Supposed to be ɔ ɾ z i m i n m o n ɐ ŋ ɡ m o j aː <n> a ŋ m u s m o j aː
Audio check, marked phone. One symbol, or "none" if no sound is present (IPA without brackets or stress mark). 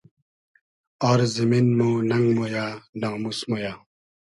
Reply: n